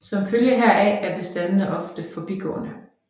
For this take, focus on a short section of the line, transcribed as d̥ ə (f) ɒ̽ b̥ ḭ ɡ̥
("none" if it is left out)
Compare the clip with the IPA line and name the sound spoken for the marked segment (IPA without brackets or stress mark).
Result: f